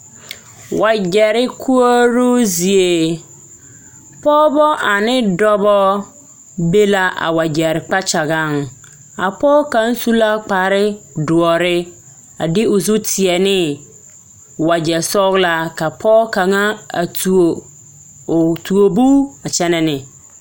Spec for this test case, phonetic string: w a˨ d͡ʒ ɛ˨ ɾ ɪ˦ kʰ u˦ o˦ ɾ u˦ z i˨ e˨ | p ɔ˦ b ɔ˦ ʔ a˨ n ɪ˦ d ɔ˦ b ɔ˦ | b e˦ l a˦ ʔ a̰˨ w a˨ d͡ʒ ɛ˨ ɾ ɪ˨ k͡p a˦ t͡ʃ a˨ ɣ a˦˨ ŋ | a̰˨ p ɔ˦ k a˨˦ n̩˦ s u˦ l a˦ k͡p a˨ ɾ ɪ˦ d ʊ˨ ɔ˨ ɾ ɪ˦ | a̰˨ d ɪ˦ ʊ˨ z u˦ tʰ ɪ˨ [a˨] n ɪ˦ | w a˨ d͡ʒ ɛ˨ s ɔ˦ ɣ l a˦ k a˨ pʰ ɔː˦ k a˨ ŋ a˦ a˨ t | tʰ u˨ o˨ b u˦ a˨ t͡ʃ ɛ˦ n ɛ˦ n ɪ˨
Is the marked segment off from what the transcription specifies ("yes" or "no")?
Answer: yes